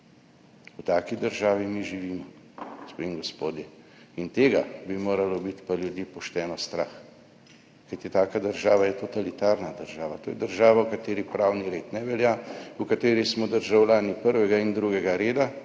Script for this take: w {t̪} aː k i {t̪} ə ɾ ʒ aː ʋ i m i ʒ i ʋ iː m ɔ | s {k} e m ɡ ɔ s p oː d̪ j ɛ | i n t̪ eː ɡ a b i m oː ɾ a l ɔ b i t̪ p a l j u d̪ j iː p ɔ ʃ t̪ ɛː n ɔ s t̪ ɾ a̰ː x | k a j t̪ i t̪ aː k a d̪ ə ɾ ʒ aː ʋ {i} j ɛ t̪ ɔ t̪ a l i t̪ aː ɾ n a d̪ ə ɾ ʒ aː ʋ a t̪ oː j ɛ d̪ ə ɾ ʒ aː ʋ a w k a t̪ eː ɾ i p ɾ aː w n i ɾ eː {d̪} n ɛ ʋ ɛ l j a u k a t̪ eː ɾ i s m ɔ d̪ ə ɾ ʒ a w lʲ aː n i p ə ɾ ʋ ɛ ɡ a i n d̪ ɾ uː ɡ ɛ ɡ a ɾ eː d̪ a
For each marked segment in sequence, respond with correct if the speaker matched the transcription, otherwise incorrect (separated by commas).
correct, incorrect, incorrect, incorrect, incorrect